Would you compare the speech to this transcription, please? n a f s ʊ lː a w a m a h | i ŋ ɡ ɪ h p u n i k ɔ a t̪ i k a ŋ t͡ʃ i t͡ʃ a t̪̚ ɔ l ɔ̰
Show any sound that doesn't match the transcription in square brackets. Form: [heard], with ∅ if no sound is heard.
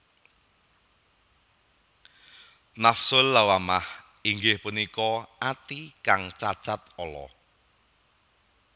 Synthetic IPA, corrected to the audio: n a f s ʊ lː a w a m a h | i ŋ ɡ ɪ h p u n i k ɔ a t̪ i k a ŋ t͡ʃ [a] t͡ʃ a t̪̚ ɔ l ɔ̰